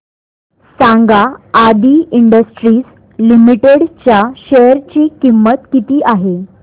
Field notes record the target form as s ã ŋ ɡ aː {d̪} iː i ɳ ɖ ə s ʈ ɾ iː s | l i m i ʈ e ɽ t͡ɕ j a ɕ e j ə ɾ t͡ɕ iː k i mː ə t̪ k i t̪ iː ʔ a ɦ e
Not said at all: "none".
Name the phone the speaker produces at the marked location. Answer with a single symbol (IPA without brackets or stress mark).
d̪